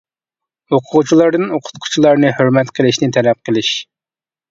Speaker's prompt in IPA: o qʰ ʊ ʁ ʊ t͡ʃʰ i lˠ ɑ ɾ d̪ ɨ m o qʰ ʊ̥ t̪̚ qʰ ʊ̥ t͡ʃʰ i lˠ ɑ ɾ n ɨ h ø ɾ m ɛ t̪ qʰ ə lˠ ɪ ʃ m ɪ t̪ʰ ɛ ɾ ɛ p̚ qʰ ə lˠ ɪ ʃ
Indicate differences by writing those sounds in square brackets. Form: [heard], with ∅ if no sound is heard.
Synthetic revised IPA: o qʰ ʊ ʁ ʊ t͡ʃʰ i lˠ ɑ ɾ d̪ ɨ [n] o qʰ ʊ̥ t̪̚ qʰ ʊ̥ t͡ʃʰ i lˠ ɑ ɾ n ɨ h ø ɾ m ɛ t̪ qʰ ə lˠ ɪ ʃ [n] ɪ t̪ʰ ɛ [l] ɛ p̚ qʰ ə lˠ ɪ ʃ